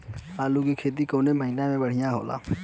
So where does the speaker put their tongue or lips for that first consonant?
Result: tongue tip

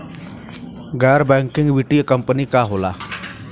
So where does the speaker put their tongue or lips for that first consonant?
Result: velum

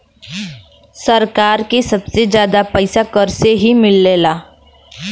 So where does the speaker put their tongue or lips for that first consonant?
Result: tongue tip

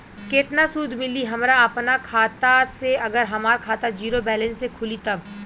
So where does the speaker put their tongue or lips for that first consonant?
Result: velum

